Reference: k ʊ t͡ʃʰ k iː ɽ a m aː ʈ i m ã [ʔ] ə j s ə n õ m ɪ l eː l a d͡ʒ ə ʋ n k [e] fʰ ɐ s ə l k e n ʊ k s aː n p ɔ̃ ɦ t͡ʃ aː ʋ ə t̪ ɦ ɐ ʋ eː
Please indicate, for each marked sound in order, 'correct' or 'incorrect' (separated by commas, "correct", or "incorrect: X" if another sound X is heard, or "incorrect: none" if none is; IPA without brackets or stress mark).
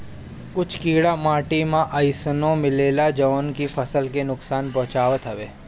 correct, incorrect: i